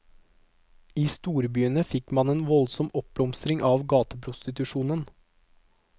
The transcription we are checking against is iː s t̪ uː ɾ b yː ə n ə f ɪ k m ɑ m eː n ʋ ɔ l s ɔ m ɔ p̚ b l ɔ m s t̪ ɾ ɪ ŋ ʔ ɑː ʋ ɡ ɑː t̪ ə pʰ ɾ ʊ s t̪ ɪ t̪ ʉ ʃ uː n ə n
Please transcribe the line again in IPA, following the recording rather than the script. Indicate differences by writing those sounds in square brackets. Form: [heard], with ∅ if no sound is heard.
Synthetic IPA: iː s t̪ uː ɾ b yː ə n ə f ɪ k m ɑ [n] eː n ʋ ɔ l s ɔ m ɔ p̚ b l ɔ m s t̪ ɾ ɪ ŋ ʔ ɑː ʋ ɡ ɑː t̪ ə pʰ ɾ ʊ s t̪ ɪ t̪ ʉ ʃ uː n ə n